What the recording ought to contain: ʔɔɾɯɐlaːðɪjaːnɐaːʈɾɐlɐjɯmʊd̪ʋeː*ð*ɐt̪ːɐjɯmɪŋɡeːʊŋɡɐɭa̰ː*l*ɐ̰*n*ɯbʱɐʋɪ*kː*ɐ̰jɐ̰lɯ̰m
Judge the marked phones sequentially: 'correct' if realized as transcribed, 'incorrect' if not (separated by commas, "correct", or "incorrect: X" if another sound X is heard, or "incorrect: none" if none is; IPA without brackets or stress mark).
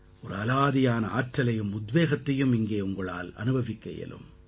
incorrect: ɣ, correct, correct, correct